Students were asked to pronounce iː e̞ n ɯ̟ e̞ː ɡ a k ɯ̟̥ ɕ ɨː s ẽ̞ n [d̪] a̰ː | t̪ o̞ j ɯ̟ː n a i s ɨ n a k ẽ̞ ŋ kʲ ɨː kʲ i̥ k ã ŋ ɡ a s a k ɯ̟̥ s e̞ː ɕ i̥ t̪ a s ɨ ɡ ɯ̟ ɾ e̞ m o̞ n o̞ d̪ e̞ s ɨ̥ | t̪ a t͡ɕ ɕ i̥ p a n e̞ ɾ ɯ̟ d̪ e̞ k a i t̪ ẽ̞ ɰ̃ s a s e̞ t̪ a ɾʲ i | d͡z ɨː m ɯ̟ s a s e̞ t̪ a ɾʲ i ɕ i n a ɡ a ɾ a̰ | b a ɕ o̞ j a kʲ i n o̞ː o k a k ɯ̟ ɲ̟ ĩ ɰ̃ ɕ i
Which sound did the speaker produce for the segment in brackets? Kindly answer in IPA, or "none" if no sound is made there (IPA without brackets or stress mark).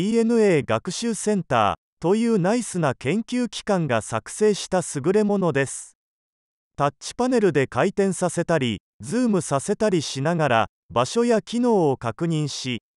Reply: t̪